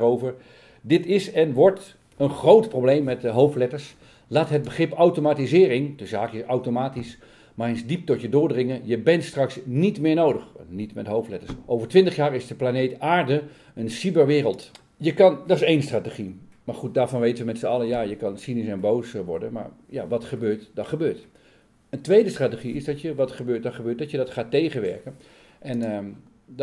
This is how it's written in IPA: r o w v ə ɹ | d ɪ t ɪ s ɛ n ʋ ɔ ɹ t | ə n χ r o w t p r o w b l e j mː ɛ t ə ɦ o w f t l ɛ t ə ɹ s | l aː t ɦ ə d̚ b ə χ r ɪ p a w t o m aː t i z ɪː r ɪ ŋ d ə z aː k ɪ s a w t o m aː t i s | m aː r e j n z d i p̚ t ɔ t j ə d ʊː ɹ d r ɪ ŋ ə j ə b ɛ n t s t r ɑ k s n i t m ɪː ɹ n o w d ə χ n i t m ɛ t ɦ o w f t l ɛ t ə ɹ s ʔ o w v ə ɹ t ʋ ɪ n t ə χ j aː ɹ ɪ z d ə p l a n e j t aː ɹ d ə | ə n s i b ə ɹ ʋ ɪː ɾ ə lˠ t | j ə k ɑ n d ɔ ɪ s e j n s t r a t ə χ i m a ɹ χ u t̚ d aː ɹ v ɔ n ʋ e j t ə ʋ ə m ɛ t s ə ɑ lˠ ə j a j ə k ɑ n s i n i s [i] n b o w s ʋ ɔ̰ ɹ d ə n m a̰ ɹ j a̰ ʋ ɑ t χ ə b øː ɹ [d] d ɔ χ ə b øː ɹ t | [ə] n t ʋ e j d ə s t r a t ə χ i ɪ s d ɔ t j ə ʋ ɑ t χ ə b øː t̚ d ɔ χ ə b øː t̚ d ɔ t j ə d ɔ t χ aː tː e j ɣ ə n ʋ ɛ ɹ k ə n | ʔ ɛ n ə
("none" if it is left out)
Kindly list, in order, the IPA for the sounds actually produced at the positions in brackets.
ɛ, t, ə

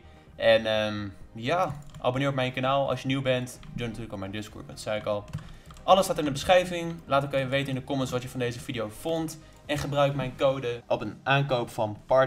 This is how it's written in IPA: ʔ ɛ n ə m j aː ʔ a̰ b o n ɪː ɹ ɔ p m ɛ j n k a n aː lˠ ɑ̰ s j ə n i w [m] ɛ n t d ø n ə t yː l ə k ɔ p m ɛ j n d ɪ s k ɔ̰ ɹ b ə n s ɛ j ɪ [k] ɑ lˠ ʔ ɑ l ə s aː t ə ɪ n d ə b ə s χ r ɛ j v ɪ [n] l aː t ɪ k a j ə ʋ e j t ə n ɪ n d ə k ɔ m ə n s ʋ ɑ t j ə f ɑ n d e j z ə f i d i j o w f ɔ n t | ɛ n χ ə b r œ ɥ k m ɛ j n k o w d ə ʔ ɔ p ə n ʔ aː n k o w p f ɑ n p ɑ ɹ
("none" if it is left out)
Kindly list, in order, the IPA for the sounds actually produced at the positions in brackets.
b, k, ŋ

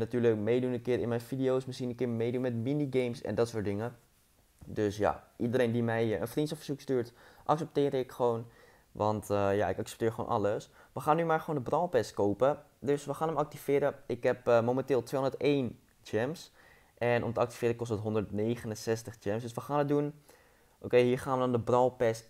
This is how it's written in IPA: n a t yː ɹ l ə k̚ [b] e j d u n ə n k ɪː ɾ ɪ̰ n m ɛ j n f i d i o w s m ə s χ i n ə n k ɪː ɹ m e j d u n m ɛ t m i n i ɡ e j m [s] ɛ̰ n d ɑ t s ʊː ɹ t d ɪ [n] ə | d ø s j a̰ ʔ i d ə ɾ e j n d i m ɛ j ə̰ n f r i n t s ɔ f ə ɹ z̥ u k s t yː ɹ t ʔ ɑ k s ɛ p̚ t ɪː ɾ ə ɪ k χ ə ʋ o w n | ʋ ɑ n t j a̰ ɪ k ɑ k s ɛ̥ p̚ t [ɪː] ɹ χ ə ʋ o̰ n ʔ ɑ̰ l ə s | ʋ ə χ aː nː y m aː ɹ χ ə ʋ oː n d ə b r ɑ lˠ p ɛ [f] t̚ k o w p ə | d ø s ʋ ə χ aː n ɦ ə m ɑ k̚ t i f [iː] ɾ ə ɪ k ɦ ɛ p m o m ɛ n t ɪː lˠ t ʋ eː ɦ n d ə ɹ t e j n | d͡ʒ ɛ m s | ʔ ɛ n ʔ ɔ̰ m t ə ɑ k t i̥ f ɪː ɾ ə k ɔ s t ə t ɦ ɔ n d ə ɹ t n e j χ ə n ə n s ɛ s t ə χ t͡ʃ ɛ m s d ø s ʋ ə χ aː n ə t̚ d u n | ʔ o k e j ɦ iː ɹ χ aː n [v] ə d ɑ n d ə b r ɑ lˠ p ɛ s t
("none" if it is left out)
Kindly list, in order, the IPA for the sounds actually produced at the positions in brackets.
m, s, ŋ, ɪː, s, ɪː, ʋ

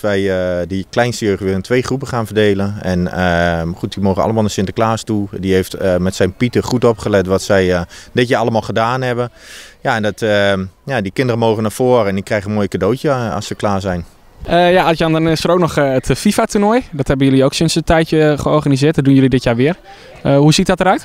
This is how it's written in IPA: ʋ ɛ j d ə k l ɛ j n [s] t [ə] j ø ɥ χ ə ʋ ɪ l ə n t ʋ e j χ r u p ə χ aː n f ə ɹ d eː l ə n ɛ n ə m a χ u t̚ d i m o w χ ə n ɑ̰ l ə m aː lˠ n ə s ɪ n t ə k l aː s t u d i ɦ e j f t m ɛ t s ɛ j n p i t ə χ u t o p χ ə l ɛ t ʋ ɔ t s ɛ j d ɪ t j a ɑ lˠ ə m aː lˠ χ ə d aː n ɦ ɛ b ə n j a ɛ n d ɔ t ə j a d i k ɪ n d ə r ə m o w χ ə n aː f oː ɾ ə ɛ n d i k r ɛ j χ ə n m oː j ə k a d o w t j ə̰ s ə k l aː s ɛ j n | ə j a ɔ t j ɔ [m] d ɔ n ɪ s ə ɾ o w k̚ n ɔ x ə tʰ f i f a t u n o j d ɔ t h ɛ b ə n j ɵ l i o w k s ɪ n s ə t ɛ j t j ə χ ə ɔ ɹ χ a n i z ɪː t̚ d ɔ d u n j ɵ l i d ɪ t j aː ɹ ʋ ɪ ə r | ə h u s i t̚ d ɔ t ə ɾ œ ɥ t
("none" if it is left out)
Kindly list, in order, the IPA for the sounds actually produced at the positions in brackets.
s, ə, n

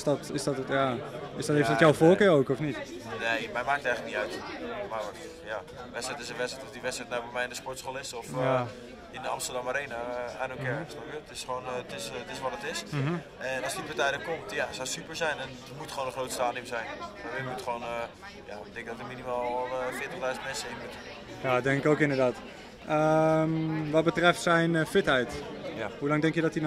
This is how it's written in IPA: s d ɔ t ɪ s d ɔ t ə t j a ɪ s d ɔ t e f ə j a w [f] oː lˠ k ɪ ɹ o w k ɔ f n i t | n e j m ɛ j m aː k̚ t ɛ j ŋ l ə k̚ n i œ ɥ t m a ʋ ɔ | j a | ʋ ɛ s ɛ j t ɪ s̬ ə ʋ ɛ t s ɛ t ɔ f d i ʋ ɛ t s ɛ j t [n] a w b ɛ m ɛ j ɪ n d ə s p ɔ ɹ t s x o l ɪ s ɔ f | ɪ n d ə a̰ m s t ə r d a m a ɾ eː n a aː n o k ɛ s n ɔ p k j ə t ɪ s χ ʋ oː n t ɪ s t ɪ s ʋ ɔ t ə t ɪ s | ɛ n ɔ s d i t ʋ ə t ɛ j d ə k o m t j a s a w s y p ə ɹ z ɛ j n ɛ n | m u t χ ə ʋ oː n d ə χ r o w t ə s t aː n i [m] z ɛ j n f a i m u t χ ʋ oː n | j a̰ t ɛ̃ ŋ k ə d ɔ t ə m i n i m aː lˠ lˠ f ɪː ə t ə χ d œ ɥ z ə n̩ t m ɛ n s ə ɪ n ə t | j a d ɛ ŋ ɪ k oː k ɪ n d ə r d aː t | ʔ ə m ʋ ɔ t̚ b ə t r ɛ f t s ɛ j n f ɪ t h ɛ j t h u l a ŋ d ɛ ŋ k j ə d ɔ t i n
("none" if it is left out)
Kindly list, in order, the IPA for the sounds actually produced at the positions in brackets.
f, n, m

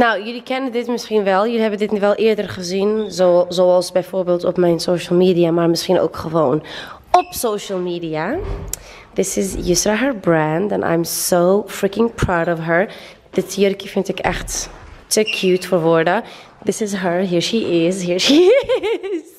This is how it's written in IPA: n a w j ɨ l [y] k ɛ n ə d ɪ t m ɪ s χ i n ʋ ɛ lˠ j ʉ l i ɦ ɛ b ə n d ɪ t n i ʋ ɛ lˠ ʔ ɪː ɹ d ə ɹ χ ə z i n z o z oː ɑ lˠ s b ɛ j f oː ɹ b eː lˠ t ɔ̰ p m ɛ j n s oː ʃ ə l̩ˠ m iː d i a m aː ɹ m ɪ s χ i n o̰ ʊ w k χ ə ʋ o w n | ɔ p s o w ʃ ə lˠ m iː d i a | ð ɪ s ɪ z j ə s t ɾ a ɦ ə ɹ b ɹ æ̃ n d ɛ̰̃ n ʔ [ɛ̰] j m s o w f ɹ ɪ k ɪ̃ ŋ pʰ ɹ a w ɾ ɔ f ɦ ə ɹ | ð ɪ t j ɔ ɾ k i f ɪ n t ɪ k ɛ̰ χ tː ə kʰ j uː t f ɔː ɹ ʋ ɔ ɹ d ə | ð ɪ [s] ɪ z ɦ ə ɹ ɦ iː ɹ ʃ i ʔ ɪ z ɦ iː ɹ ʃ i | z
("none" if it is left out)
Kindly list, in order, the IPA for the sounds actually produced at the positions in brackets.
i, a̰, s

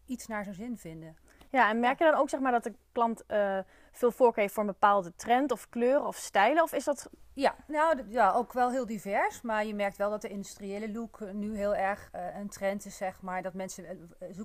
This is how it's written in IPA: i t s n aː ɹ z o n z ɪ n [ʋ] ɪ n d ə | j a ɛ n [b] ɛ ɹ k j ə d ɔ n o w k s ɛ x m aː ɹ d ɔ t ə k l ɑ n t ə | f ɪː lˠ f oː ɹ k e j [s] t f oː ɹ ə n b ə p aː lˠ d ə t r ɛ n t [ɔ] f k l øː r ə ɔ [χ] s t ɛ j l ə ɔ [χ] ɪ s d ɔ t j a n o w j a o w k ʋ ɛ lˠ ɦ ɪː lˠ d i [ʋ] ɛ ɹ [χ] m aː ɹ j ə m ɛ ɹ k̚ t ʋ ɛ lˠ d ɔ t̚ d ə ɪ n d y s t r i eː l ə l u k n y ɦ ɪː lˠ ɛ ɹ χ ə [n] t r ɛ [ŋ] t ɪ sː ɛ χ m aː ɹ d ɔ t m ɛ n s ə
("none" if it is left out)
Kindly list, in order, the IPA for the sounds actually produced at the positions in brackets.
v, m, f, ɔ, f, f, v, s, n, n

